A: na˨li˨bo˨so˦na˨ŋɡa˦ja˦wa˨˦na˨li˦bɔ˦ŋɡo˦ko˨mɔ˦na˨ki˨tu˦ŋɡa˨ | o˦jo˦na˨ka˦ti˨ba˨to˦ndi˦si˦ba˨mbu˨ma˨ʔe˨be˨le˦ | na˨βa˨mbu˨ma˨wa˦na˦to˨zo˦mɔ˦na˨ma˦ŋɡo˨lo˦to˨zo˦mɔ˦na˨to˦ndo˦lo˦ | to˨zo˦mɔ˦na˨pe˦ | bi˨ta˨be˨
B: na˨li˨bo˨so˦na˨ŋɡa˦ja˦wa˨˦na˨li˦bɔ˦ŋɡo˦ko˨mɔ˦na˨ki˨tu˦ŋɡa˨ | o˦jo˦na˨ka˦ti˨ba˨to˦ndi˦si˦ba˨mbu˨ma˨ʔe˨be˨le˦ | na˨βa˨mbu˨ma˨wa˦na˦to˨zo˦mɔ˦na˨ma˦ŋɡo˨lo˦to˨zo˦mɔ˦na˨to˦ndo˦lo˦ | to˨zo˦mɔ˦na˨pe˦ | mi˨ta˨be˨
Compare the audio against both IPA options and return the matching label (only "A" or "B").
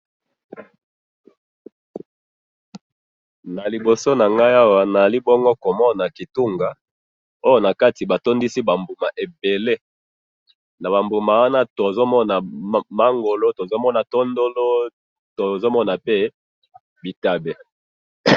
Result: A